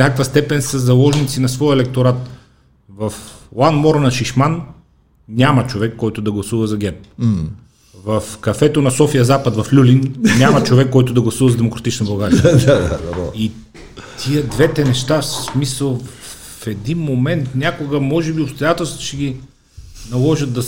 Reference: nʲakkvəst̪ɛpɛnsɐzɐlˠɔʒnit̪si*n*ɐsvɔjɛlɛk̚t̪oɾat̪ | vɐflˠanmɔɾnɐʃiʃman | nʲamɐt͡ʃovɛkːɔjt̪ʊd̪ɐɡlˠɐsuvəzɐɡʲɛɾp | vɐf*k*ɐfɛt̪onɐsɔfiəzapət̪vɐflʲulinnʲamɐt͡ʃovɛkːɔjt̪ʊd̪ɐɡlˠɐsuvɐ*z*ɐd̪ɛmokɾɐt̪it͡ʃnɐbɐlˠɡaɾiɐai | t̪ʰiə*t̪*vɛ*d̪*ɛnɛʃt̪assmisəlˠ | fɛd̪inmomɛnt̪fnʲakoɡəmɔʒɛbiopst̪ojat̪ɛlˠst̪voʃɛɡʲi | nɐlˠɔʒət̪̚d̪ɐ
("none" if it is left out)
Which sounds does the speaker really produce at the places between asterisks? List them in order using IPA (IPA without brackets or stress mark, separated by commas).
n, k, z, d̪, t̪